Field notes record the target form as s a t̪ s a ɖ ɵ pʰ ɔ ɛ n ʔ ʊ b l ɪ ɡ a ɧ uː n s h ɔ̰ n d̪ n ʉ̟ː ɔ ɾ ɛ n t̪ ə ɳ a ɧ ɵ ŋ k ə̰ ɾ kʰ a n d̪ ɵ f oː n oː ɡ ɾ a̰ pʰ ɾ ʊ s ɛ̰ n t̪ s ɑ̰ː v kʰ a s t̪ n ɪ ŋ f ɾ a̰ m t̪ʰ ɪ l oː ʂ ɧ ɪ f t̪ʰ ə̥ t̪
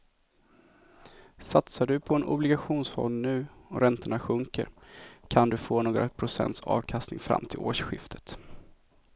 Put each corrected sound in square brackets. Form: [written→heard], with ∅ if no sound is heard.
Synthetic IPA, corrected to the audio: s a t̪ s a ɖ ɵ pʰ ɔ ɛ n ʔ ʊ b l ɪ ɡ a ɧ uː n s [h→f] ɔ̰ n d̪ n ʉ̟ː ɔ ɾ ɛ n t̪ ə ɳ a ɧ ɵ ŋ k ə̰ ɾ kʰ a n d̪ ɵ f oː n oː ɡ ɾ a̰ pʰ ɾ ʊ s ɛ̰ n t̪ s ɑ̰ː v kʰ a s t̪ n ɪ ŋ f ɾ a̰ m t̪ʰ ɪ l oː ʂ ɧ ɪ f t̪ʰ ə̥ t̪